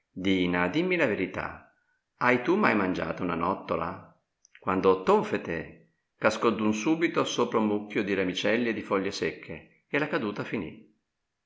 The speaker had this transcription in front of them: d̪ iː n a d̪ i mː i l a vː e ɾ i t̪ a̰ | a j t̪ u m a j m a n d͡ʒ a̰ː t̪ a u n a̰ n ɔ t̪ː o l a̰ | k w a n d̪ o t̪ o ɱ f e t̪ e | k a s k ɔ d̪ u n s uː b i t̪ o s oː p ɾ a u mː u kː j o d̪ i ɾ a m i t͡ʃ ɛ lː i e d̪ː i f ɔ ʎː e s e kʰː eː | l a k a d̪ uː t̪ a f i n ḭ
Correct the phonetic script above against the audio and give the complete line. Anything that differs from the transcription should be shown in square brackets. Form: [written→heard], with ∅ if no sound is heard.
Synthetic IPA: d̪ iː n a d̪ i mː i l a [vː→v] e ɾ i t̪ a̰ | a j t̪ u m a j m a n d͡ʒ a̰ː t̪ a u n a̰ n ɔ t̪ː o l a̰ | k w a n d̪ o t̪ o ɱ f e t̪ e | k a s k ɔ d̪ u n s uː b i t̪ o s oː p ɾ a u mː u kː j o d̪ i ɾ a m i t͡ʃ ɛ lː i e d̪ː i f ɔ ʎː e s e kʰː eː | l a k a d̪ uː t̪ a f i n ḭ